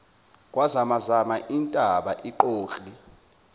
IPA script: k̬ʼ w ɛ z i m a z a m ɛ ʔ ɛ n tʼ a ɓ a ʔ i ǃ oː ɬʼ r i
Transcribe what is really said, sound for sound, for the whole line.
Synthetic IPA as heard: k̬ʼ w a z a m a z a m a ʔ i n tʼ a ɓ a ʔ i ǃ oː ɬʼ l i